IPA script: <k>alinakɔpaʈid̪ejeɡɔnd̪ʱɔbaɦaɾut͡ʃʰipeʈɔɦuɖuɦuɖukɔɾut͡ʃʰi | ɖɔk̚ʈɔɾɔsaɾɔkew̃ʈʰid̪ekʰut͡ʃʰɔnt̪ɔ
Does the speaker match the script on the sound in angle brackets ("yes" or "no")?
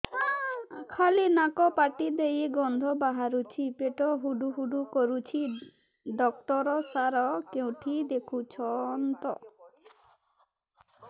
no